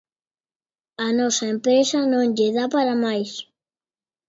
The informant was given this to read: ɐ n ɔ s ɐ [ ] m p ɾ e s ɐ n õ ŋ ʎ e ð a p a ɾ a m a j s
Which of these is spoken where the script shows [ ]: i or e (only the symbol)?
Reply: e